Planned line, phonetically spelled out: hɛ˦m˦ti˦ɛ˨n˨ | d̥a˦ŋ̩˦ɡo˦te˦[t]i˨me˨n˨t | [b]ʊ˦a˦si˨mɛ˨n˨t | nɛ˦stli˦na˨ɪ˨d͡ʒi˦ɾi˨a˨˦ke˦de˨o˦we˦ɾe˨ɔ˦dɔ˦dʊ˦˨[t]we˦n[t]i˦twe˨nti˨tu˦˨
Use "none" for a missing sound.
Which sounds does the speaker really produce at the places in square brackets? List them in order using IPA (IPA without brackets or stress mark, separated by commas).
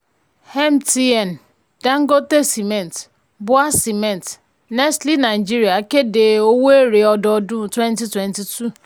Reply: s, b, t, t